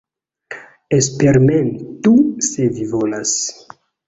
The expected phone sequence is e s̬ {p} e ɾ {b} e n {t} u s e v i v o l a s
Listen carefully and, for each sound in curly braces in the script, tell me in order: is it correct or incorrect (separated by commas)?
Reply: correct, incorrect, correct